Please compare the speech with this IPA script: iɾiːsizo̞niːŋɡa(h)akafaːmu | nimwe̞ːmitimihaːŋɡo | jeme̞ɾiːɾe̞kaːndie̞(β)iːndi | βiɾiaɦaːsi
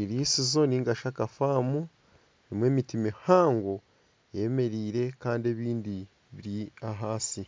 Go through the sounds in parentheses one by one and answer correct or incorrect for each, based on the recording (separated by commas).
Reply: incorrect, correct